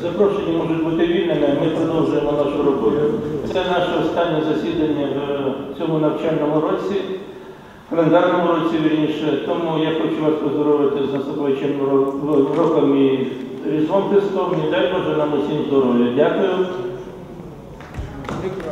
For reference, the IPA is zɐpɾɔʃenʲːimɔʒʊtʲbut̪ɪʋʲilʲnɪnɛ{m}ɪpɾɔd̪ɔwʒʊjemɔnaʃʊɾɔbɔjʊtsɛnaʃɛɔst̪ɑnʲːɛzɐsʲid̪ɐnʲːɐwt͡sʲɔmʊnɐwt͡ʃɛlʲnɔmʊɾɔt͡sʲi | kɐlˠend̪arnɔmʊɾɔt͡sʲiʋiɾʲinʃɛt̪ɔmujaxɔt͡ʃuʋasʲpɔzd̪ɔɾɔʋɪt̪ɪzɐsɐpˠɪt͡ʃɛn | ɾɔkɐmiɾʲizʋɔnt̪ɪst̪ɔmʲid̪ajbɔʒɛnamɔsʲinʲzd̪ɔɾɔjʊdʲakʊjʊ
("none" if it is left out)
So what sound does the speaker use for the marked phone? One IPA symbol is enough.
m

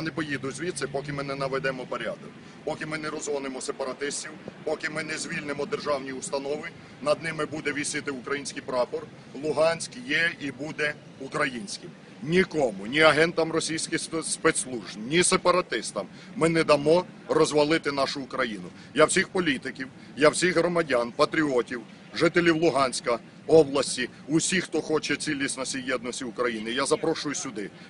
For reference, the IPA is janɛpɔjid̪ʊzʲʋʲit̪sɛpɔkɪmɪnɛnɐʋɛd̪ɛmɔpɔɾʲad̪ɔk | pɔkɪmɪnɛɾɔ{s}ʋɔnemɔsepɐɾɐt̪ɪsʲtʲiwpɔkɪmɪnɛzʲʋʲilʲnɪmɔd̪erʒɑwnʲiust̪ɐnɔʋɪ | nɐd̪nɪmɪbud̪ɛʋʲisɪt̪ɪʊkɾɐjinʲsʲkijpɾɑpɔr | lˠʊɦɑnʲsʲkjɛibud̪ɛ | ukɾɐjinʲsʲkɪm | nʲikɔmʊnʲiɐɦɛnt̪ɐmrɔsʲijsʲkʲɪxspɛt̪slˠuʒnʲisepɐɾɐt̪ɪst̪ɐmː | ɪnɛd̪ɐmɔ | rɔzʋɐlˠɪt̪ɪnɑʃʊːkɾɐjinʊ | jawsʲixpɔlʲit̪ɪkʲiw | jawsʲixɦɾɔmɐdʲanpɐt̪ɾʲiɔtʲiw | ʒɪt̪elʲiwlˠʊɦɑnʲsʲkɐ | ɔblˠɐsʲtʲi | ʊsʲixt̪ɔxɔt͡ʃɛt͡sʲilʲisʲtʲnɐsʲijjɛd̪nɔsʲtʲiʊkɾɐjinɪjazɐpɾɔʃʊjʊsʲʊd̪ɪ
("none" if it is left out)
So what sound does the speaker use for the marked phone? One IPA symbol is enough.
z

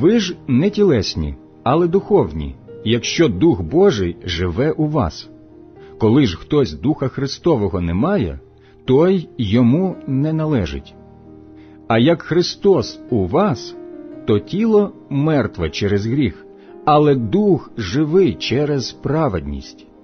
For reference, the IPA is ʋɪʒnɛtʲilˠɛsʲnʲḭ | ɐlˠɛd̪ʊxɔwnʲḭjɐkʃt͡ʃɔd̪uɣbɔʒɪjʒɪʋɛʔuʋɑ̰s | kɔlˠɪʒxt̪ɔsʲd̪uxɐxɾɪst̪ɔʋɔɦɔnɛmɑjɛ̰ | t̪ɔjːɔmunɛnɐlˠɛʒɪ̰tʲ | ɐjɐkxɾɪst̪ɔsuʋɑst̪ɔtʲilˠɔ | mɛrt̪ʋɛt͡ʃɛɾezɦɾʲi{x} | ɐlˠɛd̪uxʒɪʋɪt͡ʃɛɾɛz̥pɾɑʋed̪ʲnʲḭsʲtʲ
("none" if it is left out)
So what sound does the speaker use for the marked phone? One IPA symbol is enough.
x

